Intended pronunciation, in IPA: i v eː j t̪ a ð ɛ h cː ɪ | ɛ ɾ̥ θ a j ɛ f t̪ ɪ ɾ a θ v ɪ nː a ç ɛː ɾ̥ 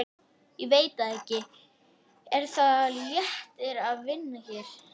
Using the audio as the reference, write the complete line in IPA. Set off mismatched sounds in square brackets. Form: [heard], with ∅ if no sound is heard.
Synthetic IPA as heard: i v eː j t̪ a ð ɛ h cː ɪ | ɛ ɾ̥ θ a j ɛ [h] t̪ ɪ ɾ a [ð] v ɪ nː a ç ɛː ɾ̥